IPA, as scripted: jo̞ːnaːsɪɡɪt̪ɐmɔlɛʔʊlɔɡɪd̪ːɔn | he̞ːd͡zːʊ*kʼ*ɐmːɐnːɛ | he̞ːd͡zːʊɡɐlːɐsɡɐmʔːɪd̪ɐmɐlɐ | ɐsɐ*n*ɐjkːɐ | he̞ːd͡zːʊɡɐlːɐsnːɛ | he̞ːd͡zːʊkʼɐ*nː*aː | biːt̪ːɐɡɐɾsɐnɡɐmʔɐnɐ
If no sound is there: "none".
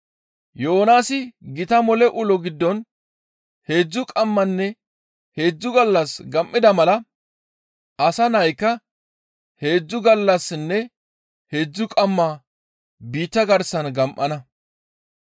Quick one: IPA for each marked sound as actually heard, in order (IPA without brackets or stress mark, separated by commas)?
kʼ, n, mː